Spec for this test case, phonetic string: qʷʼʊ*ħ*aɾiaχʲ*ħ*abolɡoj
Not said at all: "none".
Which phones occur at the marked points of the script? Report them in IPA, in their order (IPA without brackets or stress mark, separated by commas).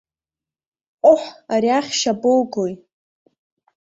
ħ, ʃ